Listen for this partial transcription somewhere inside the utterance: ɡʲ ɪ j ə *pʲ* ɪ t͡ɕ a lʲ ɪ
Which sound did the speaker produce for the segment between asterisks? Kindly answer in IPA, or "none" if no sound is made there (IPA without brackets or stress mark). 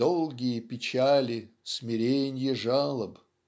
pʲ